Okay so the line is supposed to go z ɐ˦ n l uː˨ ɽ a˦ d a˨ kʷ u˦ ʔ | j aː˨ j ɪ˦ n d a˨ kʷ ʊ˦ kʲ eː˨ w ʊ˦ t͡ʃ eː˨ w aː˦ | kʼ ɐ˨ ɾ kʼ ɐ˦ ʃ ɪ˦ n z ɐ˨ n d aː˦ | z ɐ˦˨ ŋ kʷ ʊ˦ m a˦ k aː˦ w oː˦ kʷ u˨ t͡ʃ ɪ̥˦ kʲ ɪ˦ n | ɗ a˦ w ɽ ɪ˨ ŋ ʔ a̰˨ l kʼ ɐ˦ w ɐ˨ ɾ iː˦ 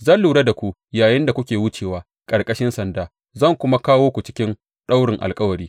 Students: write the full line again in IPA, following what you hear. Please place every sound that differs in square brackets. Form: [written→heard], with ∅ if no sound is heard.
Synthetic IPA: z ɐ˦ n l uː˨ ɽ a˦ d a˨ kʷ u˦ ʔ | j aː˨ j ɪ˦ n d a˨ kʷ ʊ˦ kʲ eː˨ w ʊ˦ t͡ʃ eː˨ w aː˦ | kʼ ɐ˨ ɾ kʼ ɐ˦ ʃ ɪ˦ n [z→s] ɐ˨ n d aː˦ | z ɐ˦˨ ŋ kʷ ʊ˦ m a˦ k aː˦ w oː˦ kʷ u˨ t͡ʃ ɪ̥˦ kʲ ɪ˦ n | ɗ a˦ w ɽ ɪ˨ ŋ ʔ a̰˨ l kʼ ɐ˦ w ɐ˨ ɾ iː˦